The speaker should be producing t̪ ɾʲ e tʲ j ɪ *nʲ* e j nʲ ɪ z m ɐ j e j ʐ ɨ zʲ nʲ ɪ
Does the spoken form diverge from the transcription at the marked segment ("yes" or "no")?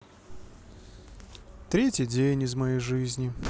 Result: yes